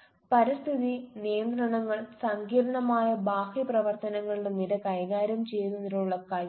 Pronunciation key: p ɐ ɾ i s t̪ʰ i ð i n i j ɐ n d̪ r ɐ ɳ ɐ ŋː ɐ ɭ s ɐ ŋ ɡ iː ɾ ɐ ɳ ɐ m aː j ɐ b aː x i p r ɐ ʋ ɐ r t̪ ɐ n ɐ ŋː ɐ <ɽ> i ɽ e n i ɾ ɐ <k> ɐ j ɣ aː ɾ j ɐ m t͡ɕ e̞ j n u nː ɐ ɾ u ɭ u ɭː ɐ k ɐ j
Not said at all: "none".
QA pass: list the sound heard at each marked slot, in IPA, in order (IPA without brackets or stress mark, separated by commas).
ɭ, k